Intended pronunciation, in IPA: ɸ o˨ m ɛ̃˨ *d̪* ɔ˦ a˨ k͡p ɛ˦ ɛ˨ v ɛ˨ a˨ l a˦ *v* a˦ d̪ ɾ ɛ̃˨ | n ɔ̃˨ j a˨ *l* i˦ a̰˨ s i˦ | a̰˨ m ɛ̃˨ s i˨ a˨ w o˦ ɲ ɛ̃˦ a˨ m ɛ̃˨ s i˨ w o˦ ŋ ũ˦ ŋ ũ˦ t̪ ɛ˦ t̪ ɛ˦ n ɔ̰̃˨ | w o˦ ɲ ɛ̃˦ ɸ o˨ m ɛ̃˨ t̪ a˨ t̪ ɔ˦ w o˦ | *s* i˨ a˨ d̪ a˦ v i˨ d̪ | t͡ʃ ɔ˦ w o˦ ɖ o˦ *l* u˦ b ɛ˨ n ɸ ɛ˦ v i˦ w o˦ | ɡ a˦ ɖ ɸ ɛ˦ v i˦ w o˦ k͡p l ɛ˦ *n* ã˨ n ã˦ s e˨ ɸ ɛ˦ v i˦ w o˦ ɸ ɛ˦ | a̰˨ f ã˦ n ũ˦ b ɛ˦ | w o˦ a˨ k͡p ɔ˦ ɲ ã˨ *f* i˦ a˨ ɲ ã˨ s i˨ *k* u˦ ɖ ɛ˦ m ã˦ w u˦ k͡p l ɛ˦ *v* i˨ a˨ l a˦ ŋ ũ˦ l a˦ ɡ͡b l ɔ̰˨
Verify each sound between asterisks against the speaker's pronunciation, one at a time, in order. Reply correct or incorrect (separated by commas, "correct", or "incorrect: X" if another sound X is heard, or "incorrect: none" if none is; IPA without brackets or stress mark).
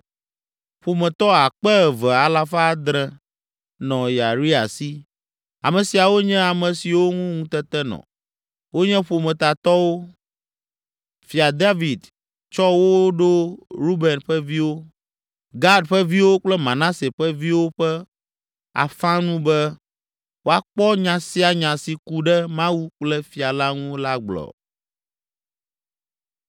incorrect: t̪, incorrect: f, incorrect: ɾ, incorrect: f, incorrect: ɾ, incorrect: m, incorrect: s, correct, incorrect: f